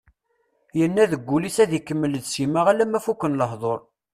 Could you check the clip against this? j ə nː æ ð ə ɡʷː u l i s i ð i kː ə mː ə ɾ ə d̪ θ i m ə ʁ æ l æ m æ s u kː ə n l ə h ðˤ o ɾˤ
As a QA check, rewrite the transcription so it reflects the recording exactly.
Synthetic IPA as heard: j ə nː æ ð ə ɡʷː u l i s æ ð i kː ə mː ə l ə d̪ s i m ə ʁ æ l æ m æ f u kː ə n l ə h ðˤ o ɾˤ